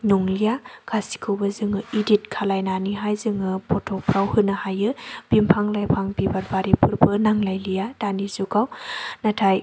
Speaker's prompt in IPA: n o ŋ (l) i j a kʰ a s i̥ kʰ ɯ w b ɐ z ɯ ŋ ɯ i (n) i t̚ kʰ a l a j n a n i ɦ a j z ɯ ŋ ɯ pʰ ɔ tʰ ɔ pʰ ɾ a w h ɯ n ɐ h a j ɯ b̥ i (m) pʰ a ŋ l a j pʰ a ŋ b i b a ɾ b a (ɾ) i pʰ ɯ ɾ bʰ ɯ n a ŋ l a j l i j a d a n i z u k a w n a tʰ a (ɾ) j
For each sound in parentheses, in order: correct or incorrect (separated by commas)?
correct, incorrect, correct, correct, incorrect